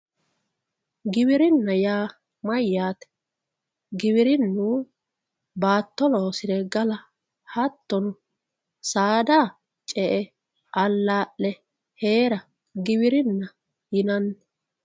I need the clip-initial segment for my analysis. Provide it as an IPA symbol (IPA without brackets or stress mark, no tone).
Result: ɡ